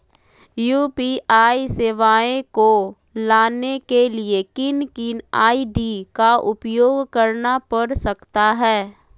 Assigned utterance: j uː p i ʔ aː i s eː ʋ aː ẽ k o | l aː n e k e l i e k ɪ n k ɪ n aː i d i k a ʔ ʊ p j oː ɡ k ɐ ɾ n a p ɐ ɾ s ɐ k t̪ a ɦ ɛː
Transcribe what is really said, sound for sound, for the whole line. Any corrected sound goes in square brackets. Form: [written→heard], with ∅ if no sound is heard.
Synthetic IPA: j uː p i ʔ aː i s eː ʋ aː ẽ k o | l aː n e k e l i e k ɪ n k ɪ n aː i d i k a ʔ ʊ p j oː ɡ k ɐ ɾ n a p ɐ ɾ s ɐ k t̪ a ɦ ɛː